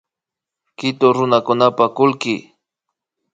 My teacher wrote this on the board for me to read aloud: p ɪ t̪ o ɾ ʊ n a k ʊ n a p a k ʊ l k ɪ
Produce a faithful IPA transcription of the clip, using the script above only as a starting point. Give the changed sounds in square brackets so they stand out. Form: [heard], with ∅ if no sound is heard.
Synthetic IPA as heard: [k] ɪ t̪ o ɾ ʊ n a k ʊ n a p a k ʊ l k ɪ